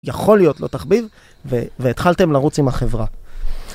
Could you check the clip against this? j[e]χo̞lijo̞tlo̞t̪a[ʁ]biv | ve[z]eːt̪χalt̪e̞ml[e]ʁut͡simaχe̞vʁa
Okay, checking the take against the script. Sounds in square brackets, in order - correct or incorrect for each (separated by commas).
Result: incorrect, incorrect, incorrect, incorrect